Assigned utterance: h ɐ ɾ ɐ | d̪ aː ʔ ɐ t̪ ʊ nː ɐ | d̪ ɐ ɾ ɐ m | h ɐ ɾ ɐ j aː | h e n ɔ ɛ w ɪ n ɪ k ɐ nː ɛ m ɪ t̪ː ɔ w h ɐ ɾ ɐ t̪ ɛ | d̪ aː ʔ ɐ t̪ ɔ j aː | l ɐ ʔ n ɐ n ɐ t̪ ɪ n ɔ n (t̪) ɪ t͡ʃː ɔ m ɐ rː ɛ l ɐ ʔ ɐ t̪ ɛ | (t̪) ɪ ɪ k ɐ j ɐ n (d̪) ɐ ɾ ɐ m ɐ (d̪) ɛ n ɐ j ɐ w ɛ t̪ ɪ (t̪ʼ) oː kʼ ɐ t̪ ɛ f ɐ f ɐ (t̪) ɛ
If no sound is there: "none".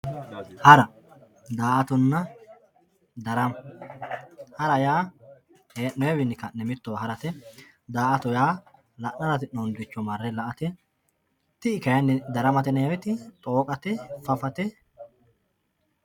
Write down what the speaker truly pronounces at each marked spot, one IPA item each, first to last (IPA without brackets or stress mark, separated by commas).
d̪, t̪, d̪, t̪, t̪ʼ, t̪